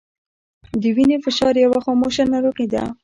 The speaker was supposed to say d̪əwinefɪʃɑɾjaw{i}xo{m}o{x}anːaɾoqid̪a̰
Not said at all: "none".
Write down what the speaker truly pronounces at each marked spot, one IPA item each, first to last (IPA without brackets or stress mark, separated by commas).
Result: a, m, ʃ